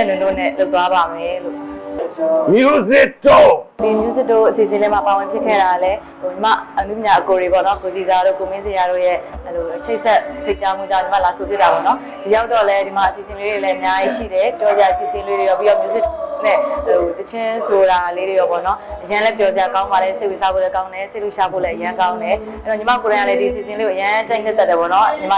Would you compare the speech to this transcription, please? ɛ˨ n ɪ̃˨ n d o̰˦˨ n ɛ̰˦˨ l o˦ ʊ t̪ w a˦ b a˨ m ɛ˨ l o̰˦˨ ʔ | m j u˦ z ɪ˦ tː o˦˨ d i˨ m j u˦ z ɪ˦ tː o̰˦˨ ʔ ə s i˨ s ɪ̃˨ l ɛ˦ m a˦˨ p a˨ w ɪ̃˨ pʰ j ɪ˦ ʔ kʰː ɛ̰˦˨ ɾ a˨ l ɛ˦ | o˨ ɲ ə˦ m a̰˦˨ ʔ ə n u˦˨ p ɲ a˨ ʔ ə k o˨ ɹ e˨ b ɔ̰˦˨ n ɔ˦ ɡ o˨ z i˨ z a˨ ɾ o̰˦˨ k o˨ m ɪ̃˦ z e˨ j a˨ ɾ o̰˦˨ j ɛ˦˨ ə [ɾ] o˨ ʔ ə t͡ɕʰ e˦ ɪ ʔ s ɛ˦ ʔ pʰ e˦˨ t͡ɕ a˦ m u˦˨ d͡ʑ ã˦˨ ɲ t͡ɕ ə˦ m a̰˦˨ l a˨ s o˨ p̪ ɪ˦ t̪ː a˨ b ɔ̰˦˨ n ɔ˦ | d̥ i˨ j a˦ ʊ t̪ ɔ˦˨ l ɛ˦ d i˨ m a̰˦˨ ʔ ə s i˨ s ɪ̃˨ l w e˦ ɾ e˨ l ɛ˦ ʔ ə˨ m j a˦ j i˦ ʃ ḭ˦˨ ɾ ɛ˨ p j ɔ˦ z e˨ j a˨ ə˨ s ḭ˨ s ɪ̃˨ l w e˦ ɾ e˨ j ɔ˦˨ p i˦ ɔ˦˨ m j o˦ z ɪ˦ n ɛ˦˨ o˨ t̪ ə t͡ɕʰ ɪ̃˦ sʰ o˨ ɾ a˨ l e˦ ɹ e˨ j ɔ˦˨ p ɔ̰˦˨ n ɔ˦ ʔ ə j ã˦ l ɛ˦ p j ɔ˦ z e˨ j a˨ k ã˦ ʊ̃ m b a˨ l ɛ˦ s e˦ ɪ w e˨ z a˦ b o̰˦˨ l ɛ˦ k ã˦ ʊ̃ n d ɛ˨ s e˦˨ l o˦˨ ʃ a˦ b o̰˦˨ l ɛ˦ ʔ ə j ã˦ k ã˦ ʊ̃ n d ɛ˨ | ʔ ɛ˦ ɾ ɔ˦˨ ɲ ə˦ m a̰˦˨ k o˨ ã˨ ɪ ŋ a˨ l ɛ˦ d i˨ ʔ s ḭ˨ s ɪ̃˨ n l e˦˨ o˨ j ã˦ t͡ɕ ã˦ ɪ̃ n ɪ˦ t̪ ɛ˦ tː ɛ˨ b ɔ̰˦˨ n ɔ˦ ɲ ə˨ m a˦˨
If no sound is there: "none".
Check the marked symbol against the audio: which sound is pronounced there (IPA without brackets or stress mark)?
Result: l